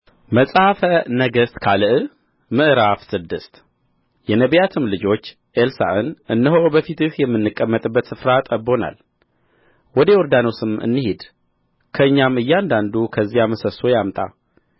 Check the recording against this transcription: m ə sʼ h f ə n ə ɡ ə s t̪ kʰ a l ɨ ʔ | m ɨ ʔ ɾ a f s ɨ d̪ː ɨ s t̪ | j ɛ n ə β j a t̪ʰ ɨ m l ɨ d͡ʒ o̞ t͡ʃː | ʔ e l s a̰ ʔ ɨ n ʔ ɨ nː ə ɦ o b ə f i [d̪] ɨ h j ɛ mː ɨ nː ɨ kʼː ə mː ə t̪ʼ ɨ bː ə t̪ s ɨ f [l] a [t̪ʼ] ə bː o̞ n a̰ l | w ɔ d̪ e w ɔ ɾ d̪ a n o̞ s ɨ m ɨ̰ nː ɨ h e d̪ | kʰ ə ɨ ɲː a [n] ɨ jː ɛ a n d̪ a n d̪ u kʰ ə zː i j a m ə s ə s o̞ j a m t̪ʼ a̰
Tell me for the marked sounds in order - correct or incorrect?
incorrect: t̪, incorrect: ɾ, correct, incorrect: m

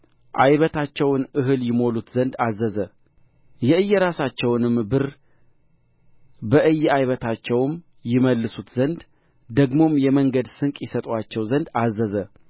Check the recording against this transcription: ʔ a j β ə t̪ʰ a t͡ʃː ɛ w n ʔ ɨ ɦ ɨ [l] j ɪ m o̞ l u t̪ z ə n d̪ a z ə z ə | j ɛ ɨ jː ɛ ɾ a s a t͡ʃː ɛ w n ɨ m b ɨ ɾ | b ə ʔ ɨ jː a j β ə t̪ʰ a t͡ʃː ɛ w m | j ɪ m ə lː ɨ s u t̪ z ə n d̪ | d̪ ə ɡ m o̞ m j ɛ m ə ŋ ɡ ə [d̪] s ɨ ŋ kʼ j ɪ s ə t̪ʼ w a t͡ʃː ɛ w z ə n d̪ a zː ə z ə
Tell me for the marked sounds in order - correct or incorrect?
correct, correct

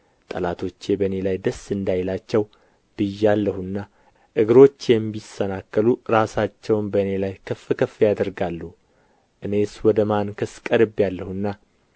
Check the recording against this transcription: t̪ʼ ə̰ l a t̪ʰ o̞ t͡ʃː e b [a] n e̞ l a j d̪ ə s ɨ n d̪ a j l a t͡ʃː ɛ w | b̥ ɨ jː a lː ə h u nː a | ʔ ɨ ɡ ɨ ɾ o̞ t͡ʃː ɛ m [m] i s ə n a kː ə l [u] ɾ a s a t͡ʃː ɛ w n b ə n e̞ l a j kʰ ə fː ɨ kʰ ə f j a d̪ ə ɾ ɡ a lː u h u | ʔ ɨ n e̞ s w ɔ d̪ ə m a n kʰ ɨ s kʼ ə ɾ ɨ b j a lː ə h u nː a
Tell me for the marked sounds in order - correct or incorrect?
incorrect: ə, incorrect: b, correct

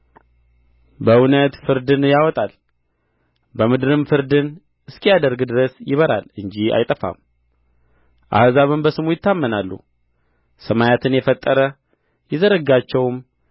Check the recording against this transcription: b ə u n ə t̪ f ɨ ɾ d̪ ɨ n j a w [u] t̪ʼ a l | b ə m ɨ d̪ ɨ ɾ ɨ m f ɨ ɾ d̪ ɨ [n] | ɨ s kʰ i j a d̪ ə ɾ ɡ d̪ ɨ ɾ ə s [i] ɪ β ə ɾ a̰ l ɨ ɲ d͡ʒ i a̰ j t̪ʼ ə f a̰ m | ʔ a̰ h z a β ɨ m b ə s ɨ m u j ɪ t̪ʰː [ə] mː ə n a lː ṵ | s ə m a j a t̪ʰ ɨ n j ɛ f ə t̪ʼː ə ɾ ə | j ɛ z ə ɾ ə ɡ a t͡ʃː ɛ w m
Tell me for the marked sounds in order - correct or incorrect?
incorrect: ɔ, correct, incorrect: j, incorrect: a

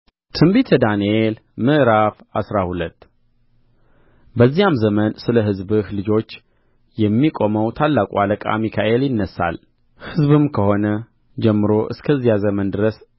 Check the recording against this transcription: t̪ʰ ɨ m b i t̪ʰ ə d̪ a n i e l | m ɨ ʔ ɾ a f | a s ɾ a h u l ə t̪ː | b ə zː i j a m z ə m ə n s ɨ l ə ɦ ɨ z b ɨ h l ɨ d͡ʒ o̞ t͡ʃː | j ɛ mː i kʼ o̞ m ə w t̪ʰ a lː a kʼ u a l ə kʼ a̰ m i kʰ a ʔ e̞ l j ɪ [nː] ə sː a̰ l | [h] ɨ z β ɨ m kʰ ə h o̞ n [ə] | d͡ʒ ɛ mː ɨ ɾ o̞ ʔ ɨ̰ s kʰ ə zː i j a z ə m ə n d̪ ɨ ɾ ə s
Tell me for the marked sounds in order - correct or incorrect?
correct, correct, correct

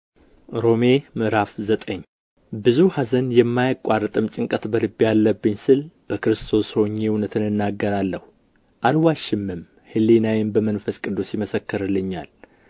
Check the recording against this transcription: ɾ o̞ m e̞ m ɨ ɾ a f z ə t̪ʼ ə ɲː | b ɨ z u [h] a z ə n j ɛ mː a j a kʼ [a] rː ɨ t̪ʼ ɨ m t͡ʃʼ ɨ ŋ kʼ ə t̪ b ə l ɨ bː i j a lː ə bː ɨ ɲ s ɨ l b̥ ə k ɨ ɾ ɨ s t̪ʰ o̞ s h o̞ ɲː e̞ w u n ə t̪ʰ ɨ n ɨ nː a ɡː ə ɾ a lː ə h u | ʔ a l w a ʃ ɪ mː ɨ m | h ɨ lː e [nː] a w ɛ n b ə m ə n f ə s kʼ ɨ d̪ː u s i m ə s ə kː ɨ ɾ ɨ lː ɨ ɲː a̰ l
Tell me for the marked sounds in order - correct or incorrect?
correct, correct, incorrect: n

